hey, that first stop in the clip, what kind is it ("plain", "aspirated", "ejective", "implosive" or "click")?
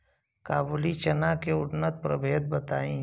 plain